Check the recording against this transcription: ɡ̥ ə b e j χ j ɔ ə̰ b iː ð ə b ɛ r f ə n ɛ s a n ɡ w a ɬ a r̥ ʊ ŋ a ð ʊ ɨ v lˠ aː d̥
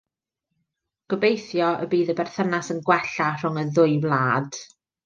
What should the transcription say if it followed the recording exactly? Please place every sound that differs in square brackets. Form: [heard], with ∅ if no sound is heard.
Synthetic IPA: ɡ̥ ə b e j [θ] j ɔ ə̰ b iː ð ə b ɛ r [θ] ə n [a] s [ə] n ɡ w [ɛ] ɬ a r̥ ʊ ŋ [ə] ð ʊ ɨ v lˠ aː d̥